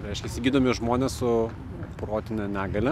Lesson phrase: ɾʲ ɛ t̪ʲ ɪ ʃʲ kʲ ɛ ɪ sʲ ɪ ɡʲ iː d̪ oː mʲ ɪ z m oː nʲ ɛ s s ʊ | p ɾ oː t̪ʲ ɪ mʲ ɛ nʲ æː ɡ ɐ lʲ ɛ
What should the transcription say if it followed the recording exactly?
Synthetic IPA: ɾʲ ɛ ɪ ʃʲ kʲ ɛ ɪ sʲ ɪ ɡʲ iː d̪ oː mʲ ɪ ʒ m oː nʲ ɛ s s ʊ | p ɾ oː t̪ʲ ɪ nʲ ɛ nʲ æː ɡ ɐ lʲ ɛ